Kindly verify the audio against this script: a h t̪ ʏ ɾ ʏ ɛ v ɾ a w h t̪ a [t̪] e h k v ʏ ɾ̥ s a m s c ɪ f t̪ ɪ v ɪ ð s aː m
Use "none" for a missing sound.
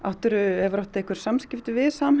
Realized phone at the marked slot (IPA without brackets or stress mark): none